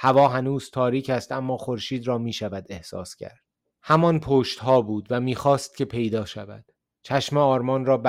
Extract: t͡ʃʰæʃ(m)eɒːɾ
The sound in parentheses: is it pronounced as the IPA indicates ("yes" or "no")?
yes